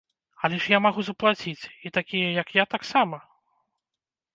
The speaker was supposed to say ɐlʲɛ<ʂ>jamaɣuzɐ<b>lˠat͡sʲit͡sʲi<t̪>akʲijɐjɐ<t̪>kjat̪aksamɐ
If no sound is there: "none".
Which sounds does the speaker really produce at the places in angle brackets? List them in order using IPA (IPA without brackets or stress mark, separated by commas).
ʂ, p, t̪, none